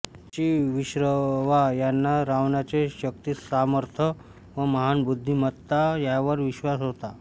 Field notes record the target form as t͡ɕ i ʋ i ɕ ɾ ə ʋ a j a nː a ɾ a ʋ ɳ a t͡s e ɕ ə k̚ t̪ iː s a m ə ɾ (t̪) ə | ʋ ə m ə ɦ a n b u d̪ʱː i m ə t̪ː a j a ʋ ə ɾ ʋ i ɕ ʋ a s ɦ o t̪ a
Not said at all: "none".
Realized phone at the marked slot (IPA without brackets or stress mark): t̪ʰ